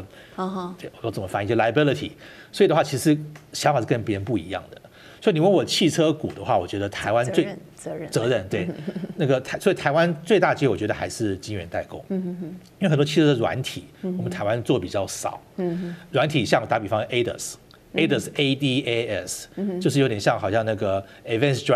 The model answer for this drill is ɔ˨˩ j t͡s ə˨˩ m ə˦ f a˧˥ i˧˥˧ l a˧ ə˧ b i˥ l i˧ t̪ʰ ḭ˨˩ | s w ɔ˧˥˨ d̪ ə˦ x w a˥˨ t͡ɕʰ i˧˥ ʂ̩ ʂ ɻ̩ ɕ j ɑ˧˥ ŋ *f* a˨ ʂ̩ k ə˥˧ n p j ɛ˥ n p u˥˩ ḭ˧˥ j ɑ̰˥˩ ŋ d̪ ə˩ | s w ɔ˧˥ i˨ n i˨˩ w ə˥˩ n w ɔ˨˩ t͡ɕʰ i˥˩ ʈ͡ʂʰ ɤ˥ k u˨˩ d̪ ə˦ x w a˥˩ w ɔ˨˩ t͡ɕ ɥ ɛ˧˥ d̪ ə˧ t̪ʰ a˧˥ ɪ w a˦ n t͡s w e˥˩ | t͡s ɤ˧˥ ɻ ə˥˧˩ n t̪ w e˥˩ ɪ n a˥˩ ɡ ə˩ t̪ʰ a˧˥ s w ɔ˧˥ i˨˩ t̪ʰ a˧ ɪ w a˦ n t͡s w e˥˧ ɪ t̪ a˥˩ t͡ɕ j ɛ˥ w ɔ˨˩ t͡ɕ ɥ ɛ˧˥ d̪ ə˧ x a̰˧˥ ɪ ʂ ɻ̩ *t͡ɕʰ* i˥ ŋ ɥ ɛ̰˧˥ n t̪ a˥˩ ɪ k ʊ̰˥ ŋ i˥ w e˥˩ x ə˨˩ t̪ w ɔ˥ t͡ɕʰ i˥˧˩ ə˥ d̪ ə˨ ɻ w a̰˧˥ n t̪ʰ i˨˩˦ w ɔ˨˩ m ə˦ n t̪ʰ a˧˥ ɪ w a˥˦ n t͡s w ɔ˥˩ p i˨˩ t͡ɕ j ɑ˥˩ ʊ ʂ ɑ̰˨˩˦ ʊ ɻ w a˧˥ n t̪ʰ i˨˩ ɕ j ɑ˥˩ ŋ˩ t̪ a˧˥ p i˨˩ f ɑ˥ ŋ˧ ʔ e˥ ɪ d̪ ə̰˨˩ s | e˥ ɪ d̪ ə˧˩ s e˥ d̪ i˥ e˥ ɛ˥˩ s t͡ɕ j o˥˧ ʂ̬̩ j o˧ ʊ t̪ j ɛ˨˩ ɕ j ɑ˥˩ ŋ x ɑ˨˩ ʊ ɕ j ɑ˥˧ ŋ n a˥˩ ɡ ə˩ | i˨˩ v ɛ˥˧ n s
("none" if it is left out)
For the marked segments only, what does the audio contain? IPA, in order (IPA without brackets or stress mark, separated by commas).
f, t͡ɕ